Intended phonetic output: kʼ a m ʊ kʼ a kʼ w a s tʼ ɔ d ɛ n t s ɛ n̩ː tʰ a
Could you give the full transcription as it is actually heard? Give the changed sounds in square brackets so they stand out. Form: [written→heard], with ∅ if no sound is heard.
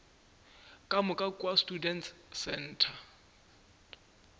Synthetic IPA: kʼ a m ʊ kʼ a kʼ w a s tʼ [ɔ→u] d ɛ n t s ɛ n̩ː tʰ a